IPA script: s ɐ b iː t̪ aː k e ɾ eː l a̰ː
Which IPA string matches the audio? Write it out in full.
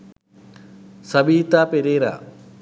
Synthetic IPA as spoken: s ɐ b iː t̪ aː p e ɾ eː ɾ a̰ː

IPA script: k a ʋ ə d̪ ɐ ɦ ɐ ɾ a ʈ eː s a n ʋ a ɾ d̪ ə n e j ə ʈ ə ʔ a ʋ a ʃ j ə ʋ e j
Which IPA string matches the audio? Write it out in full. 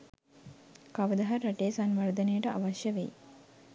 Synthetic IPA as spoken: k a ʋ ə d̪ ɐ ɦ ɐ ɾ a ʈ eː s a n ʋ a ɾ d̪ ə n e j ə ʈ ə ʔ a ʋ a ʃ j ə ʋ e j

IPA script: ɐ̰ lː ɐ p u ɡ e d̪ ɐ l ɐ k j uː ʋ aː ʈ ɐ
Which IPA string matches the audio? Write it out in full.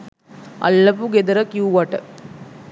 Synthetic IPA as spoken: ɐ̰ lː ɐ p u ɡ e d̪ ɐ ɾ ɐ k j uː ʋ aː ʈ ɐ

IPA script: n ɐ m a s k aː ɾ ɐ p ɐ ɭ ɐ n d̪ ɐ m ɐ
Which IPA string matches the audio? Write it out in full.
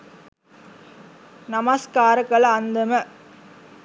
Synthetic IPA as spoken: n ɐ m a s k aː ɾ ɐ k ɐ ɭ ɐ n d̪ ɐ m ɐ

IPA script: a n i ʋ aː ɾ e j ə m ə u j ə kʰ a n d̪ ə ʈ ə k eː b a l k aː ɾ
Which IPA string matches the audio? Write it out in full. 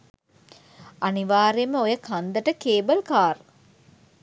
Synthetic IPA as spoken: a n i ʋ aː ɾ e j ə m ə o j ə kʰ a n d̪ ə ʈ ə k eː b ə l k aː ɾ

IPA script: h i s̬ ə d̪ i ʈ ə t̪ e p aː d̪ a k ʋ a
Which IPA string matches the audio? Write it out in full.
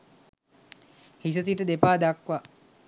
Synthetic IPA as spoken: h i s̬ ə t̪ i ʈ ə d̪ e p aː d̪ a k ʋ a

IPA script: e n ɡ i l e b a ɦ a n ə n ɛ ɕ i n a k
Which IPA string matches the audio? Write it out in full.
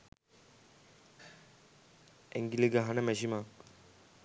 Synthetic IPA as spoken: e ŋ ɡ i l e ɡ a ɦ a n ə m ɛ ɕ i m a k

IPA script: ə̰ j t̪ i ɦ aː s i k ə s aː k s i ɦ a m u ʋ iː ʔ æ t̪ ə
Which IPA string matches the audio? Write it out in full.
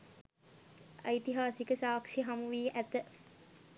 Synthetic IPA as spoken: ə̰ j t̪ i ɦ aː s i k ə s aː k ʂ i ɦ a m u ʋ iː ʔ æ t̪ ə

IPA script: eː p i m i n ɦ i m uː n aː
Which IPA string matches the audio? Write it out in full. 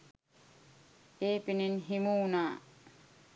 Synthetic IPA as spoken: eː p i n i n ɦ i m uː n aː

